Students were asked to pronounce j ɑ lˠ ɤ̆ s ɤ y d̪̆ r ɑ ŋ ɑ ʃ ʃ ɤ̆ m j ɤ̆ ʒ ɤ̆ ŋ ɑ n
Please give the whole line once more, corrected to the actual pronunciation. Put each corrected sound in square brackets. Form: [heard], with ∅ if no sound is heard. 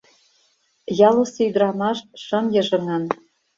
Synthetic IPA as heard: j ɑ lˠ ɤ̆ s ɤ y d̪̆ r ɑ [m] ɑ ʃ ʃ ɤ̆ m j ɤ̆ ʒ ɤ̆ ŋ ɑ n